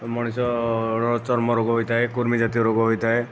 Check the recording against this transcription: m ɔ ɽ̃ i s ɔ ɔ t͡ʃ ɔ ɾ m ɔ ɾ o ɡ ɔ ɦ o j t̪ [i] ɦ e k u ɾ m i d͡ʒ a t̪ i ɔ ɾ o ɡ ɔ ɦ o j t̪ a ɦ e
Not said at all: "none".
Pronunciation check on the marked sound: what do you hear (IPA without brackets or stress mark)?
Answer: a